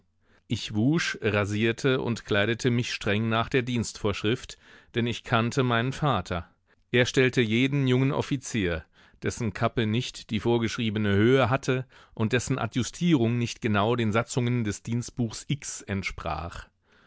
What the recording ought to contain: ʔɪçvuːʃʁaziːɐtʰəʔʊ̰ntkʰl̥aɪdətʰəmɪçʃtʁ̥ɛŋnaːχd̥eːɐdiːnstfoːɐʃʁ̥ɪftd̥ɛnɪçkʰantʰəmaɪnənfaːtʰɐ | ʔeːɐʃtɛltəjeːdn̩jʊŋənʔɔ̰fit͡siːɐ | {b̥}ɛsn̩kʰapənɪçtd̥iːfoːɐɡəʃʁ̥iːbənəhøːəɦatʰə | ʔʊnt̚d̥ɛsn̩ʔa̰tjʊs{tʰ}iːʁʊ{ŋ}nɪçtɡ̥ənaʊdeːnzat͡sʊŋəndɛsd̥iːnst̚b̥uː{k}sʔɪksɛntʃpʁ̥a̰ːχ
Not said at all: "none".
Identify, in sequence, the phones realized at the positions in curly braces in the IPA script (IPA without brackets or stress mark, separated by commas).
d̥, tʰ, ŋ, x